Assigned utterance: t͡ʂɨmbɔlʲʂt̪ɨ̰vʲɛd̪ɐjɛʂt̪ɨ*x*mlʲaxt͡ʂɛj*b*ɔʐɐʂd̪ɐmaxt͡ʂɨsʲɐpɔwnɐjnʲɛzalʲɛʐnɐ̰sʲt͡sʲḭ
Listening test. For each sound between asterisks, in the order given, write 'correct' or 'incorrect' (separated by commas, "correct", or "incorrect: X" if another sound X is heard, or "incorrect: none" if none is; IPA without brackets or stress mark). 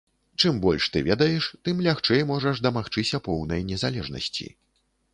incorrect: none, incorrect: m